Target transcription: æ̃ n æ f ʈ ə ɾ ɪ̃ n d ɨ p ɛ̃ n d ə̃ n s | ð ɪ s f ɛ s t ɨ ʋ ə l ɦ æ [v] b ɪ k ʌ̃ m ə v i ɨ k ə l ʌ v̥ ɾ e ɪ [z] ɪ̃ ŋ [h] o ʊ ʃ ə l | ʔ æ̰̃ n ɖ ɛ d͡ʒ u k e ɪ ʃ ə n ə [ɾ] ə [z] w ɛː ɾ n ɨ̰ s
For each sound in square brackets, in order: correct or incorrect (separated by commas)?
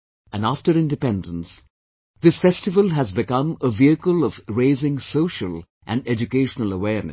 incorrect, correct, incorrect, incorrect, incorrect